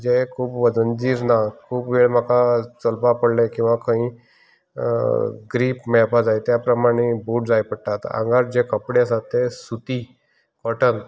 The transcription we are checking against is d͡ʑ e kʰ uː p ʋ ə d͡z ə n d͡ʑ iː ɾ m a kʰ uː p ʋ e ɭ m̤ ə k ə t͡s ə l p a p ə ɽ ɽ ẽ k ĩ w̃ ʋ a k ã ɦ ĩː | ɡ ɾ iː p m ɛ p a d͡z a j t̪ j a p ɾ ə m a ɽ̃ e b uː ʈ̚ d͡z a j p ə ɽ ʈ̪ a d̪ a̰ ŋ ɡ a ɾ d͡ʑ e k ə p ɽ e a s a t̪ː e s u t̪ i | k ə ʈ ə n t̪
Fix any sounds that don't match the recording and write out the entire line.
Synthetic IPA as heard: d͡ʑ e kʰ uː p ʋ ə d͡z ə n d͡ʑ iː ɾ n a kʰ uː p ʋ e ɭ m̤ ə k a t͡s ə l p a p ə ɽ l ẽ k ĩ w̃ ʋ a k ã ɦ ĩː | ɡ ɾ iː p m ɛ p a d͡z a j t̪ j a p ɾ ə m a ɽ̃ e b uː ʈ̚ d͡z a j p ə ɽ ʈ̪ a t̪ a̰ ŋ ɡ a ɾ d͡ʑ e k ə p ɽ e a s a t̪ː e s u t̪ i | k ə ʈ ə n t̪